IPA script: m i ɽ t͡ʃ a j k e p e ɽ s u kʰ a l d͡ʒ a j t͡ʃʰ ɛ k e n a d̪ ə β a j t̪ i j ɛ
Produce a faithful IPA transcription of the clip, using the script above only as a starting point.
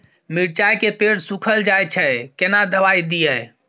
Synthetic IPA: m i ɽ t͡ʃ a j k e p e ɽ s u kʰ ə l d͡ʒ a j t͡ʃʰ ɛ k e n a d̪ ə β a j d̪ i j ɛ